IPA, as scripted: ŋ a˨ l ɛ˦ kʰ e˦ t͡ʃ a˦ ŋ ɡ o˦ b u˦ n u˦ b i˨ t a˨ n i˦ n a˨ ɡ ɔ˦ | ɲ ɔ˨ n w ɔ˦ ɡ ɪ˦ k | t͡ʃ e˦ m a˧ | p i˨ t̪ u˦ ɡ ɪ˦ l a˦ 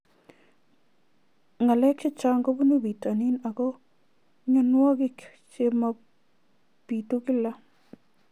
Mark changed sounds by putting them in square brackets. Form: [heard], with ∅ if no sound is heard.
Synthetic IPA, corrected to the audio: ŋ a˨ l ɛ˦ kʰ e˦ t͡ʃ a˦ ŋ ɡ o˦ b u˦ n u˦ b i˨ t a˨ n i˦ n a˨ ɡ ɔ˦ | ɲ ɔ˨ n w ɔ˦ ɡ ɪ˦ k | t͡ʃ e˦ m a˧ | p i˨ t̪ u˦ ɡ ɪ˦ l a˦